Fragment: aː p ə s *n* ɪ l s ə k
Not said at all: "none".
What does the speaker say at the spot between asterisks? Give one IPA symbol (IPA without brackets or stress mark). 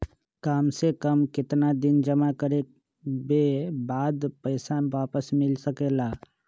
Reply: m